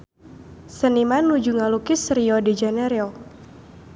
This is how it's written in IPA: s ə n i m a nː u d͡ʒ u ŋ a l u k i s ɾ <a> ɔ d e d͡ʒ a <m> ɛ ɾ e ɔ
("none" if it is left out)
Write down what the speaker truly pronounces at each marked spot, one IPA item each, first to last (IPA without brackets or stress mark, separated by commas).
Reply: i, n